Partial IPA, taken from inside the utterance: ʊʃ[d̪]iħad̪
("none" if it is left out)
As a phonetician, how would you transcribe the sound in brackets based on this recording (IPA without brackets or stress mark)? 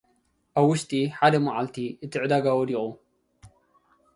t̪